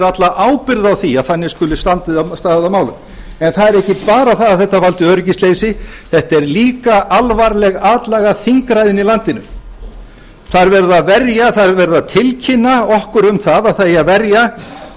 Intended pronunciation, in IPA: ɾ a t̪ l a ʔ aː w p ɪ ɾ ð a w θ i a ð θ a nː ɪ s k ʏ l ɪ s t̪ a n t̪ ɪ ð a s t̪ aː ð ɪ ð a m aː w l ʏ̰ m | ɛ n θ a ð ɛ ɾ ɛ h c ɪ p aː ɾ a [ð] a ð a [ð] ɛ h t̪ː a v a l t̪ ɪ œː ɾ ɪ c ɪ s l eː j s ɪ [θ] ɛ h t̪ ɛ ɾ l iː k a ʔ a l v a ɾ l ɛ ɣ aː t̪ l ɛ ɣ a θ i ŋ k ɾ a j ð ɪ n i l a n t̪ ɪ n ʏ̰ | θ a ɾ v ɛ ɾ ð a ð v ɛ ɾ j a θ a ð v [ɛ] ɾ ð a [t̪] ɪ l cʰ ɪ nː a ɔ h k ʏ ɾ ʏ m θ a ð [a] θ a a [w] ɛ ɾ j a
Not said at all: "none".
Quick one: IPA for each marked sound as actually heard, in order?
θ, θ, θ, ɛ, t̪ʰ, a, v

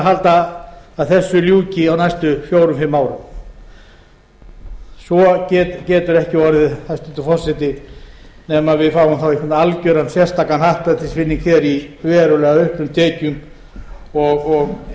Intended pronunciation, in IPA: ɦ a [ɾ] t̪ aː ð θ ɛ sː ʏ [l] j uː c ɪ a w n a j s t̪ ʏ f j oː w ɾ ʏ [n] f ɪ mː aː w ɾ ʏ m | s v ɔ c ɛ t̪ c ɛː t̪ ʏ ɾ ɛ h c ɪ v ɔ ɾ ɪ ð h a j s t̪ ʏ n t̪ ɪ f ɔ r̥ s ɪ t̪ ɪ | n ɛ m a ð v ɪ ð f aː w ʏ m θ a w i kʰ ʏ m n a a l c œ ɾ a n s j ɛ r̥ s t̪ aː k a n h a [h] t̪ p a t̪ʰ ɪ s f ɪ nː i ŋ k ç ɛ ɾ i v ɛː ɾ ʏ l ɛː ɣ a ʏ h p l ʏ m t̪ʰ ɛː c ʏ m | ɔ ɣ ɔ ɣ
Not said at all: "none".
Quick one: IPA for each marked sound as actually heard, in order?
l, l, m, h

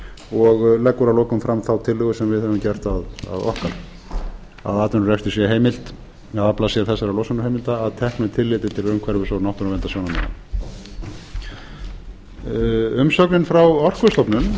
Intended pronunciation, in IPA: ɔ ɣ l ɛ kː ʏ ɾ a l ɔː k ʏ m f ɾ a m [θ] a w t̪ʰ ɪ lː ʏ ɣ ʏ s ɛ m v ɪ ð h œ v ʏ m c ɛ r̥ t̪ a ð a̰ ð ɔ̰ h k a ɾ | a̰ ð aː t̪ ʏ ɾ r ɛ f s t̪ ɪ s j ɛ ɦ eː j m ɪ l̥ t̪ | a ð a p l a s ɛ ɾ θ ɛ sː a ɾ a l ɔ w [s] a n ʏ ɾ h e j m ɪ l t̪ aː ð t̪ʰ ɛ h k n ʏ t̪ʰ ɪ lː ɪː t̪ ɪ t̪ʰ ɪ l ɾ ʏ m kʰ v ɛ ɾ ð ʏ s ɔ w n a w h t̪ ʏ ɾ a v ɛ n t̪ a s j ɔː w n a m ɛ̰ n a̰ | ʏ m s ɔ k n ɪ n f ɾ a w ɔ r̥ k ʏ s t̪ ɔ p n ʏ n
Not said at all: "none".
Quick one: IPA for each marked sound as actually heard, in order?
θ, s

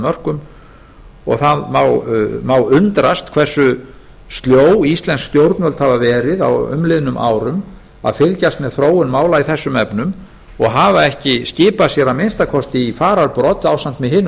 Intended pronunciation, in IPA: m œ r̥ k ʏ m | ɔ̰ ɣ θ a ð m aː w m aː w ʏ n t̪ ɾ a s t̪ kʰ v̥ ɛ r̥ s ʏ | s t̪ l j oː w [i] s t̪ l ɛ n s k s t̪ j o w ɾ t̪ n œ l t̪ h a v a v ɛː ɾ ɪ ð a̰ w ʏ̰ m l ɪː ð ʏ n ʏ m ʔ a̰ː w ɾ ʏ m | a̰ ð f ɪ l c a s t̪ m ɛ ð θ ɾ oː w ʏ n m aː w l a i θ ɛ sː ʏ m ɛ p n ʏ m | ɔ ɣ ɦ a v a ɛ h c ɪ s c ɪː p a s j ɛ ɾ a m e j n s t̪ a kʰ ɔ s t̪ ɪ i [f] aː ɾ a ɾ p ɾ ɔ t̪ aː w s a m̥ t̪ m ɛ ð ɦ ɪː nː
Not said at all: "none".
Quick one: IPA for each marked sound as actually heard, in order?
i, f

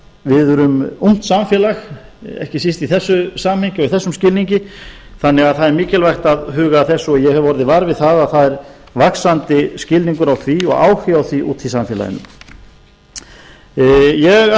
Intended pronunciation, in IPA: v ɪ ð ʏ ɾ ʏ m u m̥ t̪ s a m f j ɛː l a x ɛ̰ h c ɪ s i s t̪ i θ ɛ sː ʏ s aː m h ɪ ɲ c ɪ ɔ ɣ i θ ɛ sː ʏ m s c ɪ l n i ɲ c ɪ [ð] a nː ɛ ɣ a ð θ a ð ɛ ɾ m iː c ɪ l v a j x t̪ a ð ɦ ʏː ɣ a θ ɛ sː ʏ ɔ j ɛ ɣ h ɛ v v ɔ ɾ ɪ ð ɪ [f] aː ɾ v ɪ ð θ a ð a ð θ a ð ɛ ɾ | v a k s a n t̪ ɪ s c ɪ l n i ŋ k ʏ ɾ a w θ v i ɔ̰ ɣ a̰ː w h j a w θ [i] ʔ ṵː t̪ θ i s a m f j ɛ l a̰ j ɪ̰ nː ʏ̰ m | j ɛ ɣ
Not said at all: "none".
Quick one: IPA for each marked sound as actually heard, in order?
θ, v, i

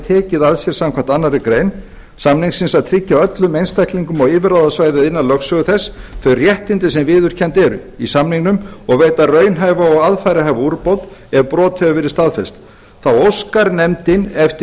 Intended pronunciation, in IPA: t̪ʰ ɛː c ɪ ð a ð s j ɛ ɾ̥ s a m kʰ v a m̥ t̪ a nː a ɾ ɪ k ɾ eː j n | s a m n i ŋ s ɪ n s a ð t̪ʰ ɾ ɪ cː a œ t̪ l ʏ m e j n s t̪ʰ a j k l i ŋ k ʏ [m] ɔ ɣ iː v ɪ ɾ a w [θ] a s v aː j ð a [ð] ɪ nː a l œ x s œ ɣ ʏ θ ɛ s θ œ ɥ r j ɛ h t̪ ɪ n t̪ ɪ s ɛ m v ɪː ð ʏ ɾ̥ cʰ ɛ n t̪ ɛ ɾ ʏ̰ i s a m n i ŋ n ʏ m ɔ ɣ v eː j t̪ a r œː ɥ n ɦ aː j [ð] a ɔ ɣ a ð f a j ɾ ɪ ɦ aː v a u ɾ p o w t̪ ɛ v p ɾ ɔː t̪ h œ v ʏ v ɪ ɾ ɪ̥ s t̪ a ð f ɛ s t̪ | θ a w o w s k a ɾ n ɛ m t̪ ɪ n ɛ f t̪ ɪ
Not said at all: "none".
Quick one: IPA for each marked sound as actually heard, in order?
m, ð, ð, v

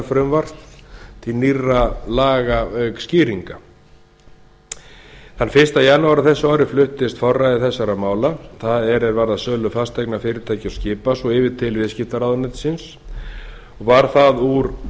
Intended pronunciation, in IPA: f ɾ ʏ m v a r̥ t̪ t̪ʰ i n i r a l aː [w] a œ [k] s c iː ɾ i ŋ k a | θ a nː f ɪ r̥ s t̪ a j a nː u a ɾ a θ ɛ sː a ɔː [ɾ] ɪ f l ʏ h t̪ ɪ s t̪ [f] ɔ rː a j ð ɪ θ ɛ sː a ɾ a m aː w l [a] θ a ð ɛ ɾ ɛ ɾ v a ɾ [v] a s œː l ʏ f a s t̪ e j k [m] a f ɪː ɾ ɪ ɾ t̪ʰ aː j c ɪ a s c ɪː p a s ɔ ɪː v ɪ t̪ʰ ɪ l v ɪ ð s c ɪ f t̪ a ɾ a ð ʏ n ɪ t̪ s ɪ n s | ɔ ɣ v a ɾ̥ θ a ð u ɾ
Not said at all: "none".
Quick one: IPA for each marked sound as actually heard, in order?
ɣ, k, ɾ, f, a, ð, n

